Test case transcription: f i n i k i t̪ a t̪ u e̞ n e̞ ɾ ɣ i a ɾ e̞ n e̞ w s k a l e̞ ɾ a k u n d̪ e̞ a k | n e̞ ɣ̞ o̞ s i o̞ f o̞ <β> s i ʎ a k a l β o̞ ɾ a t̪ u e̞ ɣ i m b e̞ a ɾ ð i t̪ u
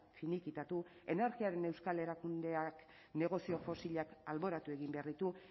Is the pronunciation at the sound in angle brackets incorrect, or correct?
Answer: incorrect